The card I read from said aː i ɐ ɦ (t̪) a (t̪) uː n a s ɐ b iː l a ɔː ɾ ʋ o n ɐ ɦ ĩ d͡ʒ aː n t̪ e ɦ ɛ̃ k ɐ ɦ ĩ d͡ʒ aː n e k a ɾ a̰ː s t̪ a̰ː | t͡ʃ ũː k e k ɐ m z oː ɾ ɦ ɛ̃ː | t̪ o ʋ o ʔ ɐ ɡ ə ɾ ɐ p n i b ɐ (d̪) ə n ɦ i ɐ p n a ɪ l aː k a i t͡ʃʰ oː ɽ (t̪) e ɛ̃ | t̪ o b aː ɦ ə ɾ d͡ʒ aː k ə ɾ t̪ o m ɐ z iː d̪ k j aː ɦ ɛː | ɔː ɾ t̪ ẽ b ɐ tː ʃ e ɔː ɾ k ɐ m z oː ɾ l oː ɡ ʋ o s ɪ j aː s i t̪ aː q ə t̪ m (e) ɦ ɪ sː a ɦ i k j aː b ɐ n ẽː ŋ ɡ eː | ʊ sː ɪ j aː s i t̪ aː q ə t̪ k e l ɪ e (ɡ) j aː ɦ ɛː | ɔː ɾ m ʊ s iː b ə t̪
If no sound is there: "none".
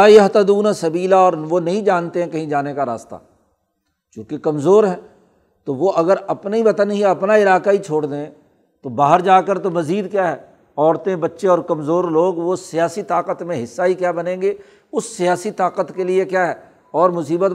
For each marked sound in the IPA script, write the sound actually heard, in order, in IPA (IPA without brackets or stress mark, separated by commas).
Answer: t̪, d̪, t̪, d̪, ẽ, k